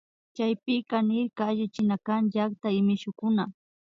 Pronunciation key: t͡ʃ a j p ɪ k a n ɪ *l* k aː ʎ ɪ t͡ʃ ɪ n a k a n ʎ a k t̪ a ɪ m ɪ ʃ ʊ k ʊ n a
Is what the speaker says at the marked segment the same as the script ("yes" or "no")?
no